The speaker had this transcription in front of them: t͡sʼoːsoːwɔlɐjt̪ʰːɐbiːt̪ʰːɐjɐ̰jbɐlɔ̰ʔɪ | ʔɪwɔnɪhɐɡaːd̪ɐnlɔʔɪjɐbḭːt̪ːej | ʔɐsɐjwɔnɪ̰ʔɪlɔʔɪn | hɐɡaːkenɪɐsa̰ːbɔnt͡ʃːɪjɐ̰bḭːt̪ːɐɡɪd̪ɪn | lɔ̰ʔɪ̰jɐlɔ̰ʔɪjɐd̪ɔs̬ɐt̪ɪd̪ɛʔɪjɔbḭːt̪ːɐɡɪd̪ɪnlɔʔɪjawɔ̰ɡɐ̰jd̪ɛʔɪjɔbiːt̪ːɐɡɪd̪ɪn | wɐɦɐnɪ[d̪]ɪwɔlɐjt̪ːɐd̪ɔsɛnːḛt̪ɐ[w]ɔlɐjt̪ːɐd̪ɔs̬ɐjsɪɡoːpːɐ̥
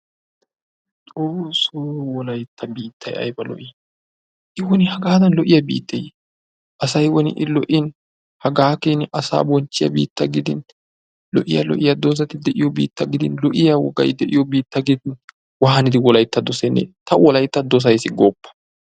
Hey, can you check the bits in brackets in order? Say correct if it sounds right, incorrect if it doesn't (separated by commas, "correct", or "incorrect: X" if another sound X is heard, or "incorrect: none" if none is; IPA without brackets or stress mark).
correct, correct